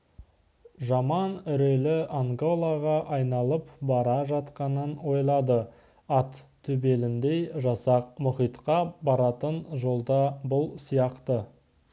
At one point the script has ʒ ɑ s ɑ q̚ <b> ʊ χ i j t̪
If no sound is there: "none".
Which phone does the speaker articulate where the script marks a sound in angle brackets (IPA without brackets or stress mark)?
m